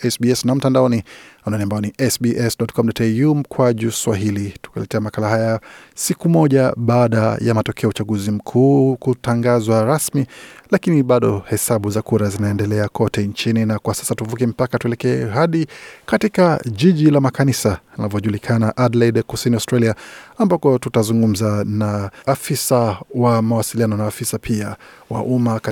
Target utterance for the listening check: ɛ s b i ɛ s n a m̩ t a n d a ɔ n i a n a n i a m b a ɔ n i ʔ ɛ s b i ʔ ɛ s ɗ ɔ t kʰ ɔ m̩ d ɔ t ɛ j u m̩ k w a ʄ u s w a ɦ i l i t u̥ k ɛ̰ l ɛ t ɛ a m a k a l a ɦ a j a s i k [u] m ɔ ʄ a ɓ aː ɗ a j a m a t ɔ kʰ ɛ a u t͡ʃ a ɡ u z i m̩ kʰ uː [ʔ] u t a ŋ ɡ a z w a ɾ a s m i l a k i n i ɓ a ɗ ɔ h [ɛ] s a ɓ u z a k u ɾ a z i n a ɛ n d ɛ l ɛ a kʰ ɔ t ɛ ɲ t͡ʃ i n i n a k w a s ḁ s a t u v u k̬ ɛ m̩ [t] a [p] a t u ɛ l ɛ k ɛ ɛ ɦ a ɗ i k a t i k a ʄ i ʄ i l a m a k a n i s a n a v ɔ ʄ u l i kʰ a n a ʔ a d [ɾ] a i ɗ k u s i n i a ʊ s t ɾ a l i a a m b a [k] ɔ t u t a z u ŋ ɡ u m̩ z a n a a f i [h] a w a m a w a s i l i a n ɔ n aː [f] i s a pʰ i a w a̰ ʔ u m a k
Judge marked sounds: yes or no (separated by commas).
yes, no, yes, no, no, no, yes, no, yes